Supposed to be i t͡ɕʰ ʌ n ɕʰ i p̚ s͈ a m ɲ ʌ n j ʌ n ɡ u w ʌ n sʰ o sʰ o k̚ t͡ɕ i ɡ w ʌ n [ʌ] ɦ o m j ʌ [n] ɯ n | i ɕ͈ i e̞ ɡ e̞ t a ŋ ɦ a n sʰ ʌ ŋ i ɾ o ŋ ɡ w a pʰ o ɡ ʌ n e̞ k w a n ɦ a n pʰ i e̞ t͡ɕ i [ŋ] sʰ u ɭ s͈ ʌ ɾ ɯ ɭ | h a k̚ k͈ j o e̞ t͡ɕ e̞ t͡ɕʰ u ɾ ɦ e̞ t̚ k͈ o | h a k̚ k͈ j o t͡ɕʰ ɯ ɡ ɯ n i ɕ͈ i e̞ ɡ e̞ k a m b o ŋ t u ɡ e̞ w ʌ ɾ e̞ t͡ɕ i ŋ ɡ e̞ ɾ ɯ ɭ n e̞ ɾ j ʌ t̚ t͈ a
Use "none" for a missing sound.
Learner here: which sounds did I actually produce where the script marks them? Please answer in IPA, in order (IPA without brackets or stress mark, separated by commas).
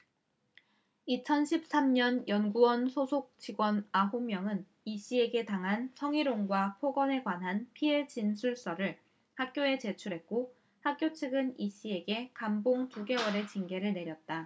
a, ŋ, n